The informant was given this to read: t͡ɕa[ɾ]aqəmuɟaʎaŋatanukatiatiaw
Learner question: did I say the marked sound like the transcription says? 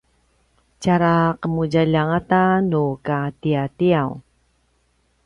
yes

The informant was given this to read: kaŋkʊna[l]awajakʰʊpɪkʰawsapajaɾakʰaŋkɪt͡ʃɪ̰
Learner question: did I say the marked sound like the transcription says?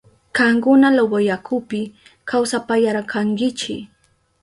yes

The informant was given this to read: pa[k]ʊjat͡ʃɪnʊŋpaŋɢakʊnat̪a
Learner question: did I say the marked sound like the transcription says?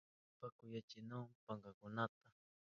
yes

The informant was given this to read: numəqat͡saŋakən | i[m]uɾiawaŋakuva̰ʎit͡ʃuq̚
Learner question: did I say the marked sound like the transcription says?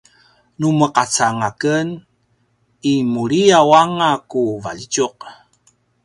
yes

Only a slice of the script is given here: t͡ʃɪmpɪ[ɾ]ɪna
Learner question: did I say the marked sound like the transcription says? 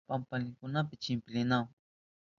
no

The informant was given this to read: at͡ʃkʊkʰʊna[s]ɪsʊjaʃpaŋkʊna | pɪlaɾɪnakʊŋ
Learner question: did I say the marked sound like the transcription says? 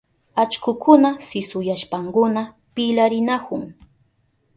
yes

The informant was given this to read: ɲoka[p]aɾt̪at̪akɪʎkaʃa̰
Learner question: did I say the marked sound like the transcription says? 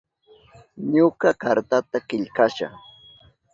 no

